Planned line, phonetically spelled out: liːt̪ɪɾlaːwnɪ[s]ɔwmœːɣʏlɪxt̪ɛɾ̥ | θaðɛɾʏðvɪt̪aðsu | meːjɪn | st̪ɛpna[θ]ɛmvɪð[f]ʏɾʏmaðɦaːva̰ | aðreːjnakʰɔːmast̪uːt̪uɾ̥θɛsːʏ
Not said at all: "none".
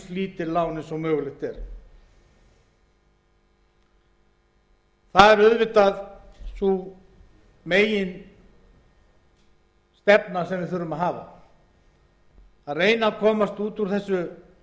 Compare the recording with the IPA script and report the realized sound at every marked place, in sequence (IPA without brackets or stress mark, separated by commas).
s, s, θ